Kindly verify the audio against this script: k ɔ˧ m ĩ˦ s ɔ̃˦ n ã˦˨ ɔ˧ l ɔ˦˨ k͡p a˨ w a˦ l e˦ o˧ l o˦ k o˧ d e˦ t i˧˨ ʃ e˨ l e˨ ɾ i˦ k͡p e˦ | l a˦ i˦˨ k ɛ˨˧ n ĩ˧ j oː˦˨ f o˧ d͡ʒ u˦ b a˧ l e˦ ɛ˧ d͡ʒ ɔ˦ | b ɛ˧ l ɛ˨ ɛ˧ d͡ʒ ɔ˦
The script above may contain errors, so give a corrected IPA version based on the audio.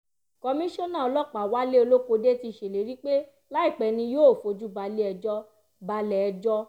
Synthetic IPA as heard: k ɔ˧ m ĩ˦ ʃ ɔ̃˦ n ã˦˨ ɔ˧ l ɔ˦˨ k͡p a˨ w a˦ l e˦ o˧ l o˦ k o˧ d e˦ t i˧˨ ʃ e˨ l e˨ ɾ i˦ k͡p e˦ | l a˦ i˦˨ k͡p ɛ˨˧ n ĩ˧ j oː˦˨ f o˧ d͡ʒ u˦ b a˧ l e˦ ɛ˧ d͡ʒ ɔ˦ | b a˧ l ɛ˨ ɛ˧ d͡ʒ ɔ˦